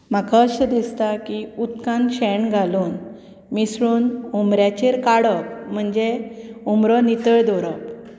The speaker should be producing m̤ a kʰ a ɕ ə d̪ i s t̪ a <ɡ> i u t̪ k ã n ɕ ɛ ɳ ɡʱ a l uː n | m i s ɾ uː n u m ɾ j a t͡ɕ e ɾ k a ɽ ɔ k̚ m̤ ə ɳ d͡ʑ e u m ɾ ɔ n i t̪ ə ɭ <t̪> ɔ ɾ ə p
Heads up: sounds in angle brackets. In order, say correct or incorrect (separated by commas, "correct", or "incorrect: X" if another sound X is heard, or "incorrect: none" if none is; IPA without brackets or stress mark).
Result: incorrect: k, incorrect: d̪